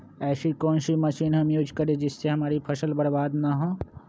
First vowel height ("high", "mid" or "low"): mid